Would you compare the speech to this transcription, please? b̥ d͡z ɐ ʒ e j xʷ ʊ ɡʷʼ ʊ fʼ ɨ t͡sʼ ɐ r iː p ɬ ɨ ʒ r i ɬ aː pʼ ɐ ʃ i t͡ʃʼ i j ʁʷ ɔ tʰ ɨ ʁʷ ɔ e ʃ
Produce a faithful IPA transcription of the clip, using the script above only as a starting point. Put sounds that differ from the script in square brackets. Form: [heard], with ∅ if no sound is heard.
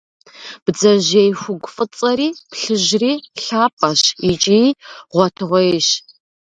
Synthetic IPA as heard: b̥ d͡z ɐ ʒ e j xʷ ʊ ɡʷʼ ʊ fʼ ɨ t͡sʼ ɐ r iː p ɬ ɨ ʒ r [iː] ɬ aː pʼ ɐ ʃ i t͡ʃʼ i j ʁʷ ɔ tʰ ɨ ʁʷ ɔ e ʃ

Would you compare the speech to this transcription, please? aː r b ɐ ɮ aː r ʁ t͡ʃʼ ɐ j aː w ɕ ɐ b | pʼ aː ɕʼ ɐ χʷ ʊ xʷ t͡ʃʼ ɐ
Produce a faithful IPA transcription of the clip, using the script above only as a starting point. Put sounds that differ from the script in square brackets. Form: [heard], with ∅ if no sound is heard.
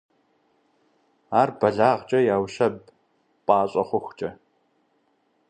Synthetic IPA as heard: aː r b ɐ ɮ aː [∅] ʁ t͡ʃʼ ɐ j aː w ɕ ɐ b | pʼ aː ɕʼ ɐ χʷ ʊ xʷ t͡ʃʼ ɐ

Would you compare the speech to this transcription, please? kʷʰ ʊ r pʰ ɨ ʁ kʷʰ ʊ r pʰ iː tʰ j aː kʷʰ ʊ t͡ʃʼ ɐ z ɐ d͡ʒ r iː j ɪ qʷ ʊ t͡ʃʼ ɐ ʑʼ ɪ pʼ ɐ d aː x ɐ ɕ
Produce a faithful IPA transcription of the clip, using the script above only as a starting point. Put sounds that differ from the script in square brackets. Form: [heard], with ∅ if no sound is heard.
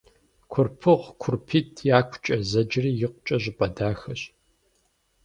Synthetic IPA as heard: kʷʰ ʊ r pʰ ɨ ʁ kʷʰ ʊ r pʰ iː tʰ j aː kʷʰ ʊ t͡ʃʼ ɐ z ɐ d͡ʒ r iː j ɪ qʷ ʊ t͡ʃʼ ɐ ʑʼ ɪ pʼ ɐ d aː x ɐ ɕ

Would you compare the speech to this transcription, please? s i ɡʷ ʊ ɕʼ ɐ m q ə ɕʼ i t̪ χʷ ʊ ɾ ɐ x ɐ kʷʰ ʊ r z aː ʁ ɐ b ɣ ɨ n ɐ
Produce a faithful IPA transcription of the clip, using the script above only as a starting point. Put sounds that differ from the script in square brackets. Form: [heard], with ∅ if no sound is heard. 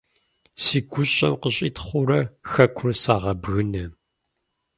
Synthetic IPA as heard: s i ɡʷ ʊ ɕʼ ɐ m q ə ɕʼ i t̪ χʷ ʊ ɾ ɐ x ɐ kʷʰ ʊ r [s] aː ʁ ɐ b ɣ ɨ n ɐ

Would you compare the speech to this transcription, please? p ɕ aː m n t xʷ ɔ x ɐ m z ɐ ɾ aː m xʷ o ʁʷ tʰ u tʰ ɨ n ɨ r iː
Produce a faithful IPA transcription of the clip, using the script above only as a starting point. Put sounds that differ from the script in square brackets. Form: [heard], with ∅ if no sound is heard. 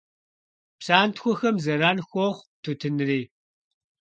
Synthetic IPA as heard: p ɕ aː [∅] n t xʷ ɔ x ɐ m z ɐ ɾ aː [n] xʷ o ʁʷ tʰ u tʰ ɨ n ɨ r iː

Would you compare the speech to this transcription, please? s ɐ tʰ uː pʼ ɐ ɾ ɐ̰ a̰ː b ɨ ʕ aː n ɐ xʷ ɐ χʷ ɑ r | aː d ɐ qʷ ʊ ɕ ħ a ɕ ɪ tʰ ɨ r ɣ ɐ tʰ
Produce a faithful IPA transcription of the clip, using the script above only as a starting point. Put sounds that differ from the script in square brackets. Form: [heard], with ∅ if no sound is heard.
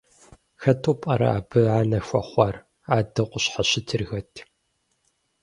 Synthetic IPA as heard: [x] ɐ tʰ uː pʼ ɐ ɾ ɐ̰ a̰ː b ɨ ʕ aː n ɐ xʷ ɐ χʷ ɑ r | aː d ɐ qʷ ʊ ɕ ħ a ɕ ɪ tʰ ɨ r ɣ ɐ tʰ

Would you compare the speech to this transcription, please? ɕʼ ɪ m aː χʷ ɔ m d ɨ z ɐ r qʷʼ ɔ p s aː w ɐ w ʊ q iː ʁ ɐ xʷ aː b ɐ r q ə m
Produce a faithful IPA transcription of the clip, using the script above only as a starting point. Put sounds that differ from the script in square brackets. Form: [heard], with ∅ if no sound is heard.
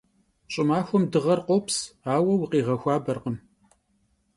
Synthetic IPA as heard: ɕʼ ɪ m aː [xʷ] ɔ m d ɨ [ʁ] ɐ r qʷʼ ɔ p s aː w ɐ w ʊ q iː ʁ ɐ xʷ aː b ɐ r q ə m

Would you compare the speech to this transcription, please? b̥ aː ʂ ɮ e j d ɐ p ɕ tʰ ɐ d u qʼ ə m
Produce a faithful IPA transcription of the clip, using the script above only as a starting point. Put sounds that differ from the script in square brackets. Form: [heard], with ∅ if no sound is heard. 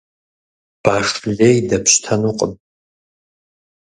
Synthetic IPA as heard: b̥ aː ʂ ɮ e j d ɐ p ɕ tʰ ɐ [n] u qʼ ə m

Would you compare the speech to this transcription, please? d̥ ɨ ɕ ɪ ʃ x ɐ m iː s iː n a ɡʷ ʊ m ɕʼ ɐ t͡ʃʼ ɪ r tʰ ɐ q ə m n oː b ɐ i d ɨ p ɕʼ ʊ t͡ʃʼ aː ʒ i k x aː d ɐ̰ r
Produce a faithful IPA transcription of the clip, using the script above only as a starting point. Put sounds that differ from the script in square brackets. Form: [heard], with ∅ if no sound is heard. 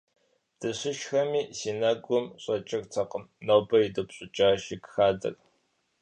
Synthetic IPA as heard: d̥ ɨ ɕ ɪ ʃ x ɐ m iː s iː n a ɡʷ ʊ m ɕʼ ɐ t͡ʃʼ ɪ r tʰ ɐ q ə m n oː b ɐ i d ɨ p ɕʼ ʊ t͡ʃʼ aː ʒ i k x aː d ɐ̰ r

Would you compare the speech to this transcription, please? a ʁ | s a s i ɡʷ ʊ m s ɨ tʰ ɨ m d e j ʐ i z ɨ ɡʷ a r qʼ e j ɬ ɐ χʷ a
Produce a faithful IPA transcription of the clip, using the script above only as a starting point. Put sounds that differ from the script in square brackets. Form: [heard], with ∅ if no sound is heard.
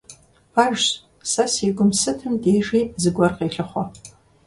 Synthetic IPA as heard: a [ʒ] | s a s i ɡʷ ʊ m s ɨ tʰ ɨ m d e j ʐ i z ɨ ɡʷ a r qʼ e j ɬ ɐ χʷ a

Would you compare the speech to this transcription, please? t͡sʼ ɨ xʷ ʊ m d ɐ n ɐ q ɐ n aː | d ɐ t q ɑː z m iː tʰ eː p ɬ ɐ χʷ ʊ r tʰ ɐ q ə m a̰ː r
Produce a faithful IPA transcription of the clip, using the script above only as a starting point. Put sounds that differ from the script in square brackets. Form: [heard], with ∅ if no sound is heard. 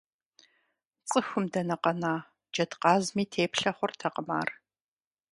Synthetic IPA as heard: t͡sʼ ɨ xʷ ʊ m d ɐ n ɐ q ɐ n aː | [d͡ʒ] ɐ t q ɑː z m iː tʰ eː p ɬ ɐ χʷ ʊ r tʰ ɐ q ə m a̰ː r

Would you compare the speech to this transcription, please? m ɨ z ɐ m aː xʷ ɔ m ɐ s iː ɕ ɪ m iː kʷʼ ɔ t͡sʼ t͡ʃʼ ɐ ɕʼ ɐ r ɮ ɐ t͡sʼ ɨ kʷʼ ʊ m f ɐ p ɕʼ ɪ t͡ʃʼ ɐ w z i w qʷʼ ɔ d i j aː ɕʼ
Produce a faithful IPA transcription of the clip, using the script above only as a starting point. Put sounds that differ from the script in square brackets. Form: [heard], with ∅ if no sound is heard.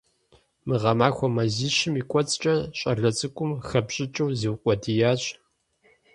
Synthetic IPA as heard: m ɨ [ʁ] ɐ m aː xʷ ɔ m ɐ [z] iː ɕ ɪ m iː kʷʼ ɔ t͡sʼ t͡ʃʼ ɐ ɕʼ ɐ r ɮ ɐ t͡sʼ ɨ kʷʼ ʊ m [x] ɐ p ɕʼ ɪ t͡ʃʼ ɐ w z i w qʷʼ ɔ d i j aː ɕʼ

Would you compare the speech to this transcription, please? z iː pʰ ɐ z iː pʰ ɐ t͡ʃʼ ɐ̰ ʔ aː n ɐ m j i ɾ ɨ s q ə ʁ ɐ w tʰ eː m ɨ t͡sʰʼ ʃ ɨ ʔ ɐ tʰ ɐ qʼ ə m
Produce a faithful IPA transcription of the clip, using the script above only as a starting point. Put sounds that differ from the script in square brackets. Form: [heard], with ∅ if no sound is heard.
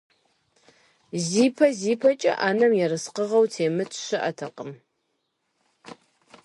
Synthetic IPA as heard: z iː pʰ ɐ z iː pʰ ɐ t͡ʃʼ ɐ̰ ʔ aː n ɐ m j [ɛ] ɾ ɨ s q ə ʁ ɐ w tʰ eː m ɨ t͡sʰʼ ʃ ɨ ʔ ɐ tʰ ɐ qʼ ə m

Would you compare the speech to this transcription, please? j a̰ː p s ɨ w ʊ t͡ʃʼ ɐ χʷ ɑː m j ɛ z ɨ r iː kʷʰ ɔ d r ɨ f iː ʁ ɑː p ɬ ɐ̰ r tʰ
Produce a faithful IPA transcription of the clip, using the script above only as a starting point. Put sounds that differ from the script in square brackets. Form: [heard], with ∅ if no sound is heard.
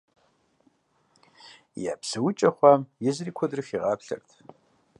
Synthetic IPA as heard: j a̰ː p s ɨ w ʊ t͡ʃʼ ɐ χʷ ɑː m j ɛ z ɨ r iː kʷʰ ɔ d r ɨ f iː ʁ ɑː p ɬ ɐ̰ r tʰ

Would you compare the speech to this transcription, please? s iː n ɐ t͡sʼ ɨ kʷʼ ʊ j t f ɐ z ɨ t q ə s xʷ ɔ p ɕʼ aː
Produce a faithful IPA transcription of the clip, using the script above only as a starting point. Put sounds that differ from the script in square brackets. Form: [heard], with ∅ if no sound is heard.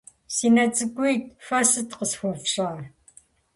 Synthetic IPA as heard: s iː n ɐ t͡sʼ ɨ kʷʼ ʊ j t f ɐ [s] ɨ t q ə s xʷ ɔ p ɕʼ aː

